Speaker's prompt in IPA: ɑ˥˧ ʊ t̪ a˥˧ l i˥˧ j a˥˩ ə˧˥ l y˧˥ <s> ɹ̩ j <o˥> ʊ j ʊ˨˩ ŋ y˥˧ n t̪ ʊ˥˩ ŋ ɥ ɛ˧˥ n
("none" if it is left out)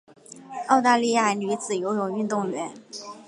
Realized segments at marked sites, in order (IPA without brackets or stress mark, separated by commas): t͡s, o˧˥